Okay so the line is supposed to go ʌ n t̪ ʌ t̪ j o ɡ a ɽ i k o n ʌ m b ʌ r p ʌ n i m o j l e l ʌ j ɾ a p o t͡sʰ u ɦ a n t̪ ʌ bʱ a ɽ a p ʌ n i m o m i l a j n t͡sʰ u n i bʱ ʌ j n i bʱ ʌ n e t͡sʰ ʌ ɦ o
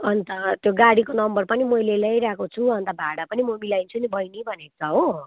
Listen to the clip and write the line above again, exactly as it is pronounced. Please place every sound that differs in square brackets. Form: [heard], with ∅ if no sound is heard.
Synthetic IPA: ʌ n t̪ ʌ t̪ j o ɡ a ɽ i k o n ʌ m b ʌ r p ʌ n i m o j l e l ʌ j ɾ a [k] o t͡sʰ u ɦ [ʌ] n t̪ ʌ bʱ a ɽ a p ʌ n i m o m i l a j n t͡sʰ u n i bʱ ʌ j n i bʱ ʌ n e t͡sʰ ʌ ɦ o

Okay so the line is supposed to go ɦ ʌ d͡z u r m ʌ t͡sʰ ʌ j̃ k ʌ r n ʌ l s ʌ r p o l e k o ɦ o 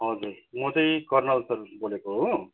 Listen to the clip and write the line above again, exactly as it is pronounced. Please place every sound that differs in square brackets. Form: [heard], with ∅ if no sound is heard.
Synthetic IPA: ɦ ʌ d͡z u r m ʌ [t͡s] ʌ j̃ k ʌ r n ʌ l s ʌ r [b] o l e k o ɦ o

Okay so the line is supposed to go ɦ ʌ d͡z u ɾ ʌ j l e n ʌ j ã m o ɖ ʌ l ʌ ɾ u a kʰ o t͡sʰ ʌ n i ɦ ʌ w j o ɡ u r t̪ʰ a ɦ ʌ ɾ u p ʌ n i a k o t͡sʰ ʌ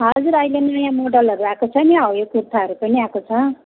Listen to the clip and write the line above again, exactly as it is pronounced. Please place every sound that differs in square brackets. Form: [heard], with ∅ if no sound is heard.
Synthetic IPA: ɦ ʌ d͡z u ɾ ʌ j l e n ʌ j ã m o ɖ ʌ l ʌ ɾ u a [k] o t͡sʰ ʌ n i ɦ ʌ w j o [k] u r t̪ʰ a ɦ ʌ ɾ u p ʌ n i a k o t͡sʰ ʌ

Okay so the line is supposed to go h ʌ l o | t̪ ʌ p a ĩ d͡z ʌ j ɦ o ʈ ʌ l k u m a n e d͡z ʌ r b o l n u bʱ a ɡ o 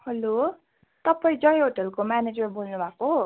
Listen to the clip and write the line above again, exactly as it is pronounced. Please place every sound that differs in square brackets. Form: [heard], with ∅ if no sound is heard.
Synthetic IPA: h ʌ l o | t̪ ʌ p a ĩ d͡z ʌ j ɦ o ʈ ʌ l k [o] m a n e d͡z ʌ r b o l n u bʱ a [k] o

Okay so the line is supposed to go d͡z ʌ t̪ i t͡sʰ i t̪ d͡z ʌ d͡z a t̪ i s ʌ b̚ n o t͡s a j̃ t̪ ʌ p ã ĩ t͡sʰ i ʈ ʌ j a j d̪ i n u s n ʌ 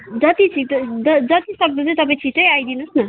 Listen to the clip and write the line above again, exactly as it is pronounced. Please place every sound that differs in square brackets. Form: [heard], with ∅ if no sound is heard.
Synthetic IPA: d͡z ʌ t̪ i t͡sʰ i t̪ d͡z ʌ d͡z [ʌ] t̪ i s ʌ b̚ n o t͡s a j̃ t̪ ʌ p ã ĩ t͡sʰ i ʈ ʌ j a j d̪ i n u s n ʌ

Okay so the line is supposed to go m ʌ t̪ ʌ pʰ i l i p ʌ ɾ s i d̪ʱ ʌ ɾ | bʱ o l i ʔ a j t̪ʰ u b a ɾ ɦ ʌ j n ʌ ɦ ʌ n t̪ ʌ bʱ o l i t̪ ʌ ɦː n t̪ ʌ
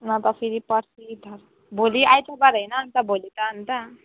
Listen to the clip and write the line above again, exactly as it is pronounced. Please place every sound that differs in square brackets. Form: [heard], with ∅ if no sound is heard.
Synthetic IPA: [n] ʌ t̪ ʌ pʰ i [ɾ] i p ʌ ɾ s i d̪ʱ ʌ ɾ | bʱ o l i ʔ a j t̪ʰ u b a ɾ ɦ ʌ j n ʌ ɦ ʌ n t̪ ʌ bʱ o l i t̪ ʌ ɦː n t̪ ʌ

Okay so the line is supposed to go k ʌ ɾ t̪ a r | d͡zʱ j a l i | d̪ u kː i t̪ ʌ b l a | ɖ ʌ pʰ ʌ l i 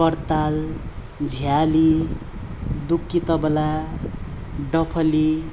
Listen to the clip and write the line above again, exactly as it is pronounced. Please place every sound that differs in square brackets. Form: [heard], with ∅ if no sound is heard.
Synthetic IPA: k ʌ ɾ t̪ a [l] | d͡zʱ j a l i | d̪ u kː i t̪ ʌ b l a | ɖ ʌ pʰ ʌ l i

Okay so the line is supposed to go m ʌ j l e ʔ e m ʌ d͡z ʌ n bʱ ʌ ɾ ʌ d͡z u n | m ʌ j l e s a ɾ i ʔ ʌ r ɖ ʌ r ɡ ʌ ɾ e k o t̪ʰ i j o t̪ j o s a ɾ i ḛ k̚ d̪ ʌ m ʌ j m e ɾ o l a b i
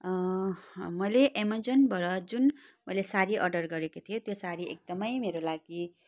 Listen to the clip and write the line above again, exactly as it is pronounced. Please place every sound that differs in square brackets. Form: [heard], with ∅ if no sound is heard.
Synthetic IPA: m ʌ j l e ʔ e m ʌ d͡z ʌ n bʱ ʌ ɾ ʌ d͡z u n | m ʌ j l e s a ɾ i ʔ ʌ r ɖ ʌ r ɡ ʌ ɾ e k o t̪ʰ i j o t̪ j o s a ɾ i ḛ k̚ d̪ ʌ m ʌ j m e ɾ o l a [ɡ] i

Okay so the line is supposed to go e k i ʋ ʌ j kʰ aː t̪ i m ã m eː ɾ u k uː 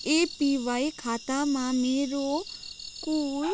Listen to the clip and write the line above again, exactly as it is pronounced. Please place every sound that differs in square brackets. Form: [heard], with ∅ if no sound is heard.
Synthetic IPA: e [p] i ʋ [a] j kʰ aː t̪ [a] m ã m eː ɾ [o] k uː

